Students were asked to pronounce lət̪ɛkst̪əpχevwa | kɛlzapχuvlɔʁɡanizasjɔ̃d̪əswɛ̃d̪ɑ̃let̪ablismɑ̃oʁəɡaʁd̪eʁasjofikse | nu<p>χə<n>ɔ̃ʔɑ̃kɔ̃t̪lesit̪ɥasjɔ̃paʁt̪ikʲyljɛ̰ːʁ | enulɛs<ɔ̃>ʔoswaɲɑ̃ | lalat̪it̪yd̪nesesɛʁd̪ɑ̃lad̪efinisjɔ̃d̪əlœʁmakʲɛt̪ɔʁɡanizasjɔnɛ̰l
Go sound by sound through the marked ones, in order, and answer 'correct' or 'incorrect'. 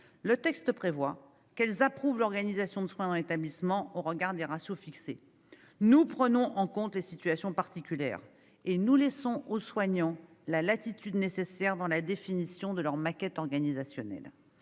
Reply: correct, correct, correct

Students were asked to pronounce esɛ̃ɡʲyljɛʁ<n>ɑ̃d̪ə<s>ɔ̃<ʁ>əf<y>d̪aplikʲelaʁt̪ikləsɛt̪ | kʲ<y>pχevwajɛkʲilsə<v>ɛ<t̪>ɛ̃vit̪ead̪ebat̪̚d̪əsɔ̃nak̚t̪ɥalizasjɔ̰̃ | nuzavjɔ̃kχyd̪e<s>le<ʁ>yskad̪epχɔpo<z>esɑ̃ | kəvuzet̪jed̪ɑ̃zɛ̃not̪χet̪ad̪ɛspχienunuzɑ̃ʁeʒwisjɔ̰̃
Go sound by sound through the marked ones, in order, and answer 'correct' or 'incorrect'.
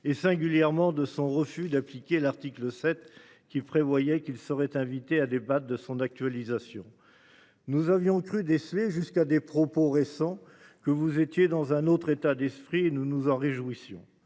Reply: incorrect: m, correct, correct, correct, incorrect: i, incorrect: ʁ, correct, correct, incorrect: ʒ, incorrect: ʁ

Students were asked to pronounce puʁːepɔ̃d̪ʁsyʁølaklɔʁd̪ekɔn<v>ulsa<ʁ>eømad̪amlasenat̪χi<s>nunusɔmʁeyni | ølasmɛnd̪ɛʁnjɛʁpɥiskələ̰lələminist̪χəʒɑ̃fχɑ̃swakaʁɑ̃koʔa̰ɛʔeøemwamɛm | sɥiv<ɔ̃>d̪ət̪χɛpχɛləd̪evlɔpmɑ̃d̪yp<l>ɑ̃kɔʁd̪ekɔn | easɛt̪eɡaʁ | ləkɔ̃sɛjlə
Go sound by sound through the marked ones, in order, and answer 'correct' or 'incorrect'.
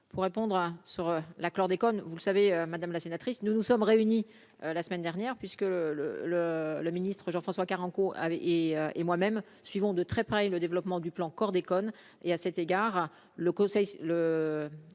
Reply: correct, incorrect: v, correct, correct, correct

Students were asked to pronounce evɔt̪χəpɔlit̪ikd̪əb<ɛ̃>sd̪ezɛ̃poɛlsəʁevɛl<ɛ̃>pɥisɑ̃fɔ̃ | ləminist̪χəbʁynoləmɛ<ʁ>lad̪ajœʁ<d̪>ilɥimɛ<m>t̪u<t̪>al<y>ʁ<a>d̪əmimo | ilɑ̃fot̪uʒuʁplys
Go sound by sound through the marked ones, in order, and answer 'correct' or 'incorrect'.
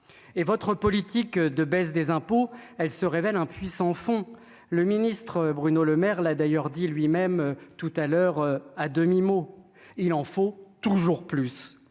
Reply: incorrect: ɛ, correct, correct, correct, correct, correct, incorrect: œ, correct

